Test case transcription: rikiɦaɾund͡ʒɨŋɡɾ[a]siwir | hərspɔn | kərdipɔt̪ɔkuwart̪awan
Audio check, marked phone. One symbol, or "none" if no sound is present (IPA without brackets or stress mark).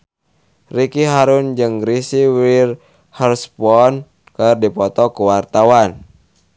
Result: i